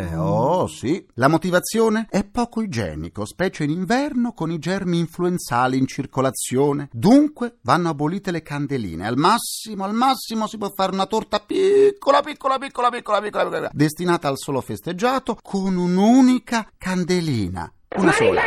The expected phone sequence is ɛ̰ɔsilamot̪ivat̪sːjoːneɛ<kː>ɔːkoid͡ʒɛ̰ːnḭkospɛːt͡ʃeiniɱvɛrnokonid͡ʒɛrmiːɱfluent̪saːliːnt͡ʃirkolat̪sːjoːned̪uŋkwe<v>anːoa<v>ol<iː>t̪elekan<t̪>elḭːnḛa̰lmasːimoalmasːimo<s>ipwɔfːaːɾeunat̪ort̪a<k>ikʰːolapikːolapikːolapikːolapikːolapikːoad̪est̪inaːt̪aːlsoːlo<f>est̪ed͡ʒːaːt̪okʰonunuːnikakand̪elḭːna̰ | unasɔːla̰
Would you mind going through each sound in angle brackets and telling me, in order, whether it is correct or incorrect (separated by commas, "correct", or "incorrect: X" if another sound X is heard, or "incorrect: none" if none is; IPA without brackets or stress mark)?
incorrect: pː, correct, incorrect: b, correct, incorrect: d̪, correct, incorrect: p, correct